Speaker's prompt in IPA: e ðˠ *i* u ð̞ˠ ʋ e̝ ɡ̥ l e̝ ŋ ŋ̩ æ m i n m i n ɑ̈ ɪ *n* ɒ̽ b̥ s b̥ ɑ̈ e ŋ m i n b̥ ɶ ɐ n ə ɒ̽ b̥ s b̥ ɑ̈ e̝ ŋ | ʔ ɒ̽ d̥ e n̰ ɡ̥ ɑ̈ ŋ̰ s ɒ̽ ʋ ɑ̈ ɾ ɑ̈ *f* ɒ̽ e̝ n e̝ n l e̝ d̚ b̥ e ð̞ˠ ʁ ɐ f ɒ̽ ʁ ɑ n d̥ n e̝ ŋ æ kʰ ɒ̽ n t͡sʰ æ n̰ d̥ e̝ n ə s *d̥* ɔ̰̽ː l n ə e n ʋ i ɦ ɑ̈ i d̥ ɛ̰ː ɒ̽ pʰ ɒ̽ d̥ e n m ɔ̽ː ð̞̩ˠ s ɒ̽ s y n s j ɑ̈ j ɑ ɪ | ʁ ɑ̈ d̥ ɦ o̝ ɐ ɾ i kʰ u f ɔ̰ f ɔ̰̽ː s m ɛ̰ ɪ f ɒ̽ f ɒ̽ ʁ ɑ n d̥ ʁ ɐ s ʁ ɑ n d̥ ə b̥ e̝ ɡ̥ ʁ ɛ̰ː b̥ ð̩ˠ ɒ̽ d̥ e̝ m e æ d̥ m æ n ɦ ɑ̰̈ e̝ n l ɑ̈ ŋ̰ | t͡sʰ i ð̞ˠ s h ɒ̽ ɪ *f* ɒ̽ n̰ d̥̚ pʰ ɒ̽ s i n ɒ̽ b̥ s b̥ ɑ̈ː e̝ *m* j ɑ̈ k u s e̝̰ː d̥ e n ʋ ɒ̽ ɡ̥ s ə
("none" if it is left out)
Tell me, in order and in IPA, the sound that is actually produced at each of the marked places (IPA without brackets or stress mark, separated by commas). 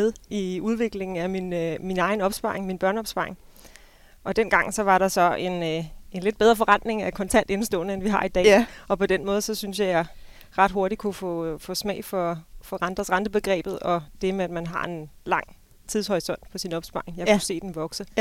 i, n, s, d̥, s, ŋ